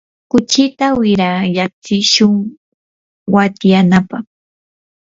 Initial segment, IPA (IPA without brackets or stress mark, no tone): k